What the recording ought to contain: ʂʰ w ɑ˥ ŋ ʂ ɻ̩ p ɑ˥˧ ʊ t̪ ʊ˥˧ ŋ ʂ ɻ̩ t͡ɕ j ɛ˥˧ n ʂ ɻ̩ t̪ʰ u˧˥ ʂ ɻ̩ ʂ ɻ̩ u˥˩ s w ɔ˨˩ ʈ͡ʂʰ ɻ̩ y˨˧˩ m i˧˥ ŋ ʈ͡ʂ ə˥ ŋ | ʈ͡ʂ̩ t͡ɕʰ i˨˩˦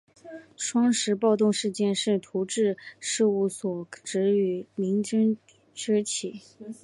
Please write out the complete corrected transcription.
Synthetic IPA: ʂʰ w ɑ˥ ŋ ʂ ɻ̩ p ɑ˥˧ ʊ t̪ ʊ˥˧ ŋ ʂ ɻ̩ t͡ɕ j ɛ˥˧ n ʂ ɻ̩ t̪ʰ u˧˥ ʈ͡ʂ ɻ̩ ʂ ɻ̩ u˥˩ s w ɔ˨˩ ʈ͡ʂ ɻ̩ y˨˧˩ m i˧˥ ŋ ʈ͡ʂ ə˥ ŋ | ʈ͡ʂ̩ t͡ɕʰ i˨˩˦